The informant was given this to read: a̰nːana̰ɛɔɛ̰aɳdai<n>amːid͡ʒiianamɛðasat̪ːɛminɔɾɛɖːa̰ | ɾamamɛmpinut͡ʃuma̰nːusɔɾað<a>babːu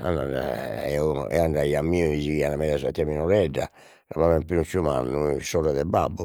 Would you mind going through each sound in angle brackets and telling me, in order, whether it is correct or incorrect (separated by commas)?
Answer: incorrect, incorrect